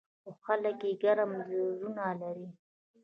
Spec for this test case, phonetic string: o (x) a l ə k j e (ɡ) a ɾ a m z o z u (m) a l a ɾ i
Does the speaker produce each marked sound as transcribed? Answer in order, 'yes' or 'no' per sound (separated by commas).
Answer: yes, yes, no